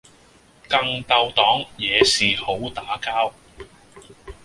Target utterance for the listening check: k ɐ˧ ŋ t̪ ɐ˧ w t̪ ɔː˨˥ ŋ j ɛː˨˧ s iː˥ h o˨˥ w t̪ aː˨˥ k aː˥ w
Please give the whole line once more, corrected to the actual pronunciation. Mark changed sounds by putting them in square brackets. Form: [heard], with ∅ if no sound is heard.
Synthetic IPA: k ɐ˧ ŋ t̪ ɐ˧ w t̪ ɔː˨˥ ŋ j ɛː˨˧ s [iː˨] h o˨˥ w t̪ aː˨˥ k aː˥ w